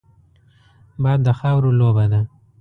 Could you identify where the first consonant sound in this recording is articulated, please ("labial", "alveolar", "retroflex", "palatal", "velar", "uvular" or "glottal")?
labial